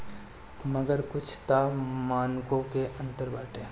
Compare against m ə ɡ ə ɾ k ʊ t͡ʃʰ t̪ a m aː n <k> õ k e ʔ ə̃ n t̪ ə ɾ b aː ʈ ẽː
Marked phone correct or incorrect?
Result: correct